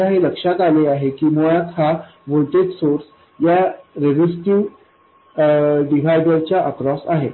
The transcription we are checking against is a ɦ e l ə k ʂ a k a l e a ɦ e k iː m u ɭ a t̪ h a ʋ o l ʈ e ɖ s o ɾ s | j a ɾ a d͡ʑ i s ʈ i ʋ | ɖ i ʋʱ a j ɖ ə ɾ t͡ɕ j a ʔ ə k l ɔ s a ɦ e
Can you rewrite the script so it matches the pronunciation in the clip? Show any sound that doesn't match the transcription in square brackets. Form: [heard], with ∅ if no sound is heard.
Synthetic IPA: a ɦ e l ə k ʂ a k a l e a ɦ e k iː m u ɭ a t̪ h a ʋ o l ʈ e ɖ s o ɾ s | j a ɾ [e] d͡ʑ i s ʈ i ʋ | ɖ i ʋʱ a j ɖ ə ɾ t͡ɕ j a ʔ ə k [ɾ] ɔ s a ɦ e